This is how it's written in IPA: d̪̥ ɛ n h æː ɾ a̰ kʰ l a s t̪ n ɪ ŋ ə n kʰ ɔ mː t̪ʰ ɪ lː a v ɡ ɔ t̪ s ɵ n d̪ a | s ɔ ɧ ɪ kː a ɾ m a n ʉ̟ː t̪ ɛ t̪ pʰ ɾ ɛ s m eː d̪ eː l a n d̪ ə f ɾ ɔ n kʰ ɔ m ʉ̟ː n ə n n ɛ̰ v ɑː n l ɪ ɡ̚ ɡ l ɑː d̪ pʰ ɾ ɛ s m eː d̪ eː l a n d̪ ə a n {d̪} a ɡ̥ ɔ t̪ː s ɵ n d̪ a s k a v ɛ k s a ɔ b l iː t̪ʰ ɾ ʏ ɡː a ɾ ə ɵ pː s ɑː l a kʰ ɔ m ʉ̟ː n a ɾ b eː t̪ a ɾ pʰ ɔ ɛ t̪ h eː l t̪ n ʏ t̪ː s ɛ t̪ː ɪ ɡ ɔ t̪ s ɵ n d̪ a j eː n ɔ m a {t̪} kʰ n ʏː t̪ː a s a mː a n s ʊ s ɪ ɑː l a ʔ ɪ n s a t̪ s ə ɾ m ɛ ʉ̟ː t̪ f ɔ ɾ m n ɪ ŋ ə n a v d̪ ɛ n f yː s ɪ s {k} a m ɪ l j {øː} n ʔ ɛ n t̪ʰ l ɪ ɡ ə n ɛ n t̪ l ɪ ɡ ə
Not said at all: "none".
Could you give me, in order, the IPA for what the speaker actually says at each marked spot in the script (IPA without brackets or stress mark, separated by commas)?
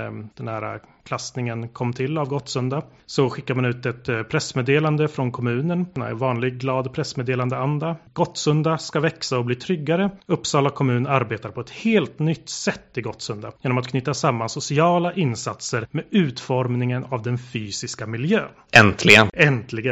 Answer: d̪, t̪, k, øː